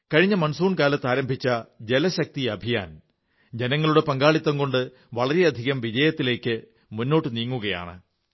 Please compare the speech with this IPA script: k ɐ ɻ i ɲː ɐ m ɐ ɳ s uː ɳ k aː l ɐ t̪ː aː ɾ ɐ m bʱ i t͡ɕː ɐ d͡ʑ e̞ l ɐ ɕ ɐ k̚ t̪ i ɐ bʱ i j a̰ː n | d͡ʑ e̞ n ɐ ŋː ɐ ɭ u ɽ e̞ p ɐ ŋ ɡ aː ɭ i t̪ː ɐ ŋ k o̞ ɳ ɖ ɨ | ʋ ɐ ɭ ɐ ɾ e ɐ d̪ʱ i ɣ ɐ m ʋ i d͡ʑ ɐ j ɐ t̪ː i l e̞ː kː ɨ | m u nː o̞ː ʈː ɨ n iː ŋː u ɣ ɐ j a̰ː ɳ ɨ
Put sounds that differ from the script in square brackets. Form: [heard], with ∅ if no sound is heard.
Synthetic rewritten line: k ɐ ɻ i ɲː ɐ m ɐ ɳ s uː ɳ k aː l ɐ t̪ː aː ɾ ɐ m bʱ i t͡ɕː ɐ d͡ʑ e̞ l ɐ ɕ ɐ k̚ t̪ i ɐ bʱ i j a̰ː n | d͡ʑ e̞ n ɐ ŋː ɐ ɭ u ɽ e̞ p ɐ ŋ ɡ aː ɭ i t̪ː ɐ ŋ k o̞ ɳ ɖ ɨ | ʋ ɐ ɭ ɐ ɾ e ɐ d̪ʱ i ɣ ɐ m ʋ i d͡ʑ ɐ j ɐ t̪ː i l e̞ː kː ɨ | m u nː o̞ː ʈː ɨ n iː ŋː u ɣ ɐ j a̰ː ɳ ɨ